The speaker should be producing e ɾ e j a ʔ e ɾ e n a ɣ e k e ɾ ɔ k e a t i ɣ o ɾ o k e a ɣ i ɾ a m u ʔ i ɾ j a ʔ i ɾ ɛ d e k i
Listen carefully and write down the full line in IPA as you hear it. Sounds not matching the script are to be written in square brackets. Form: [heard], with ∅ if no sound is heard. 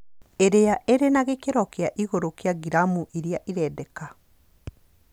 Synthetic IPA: e ɾ e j a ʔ e ɾ e n a ɣ e k e ɾ ɔ k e a [ʔ] i ɣ o ɾ o k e a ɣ i ɾ a m u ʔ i ɾ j a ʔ i ɾ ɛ d [ɛ] k [a]